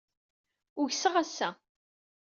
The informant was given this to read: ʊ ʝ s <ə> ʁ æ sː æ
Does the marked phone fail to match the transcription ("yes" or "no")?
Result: no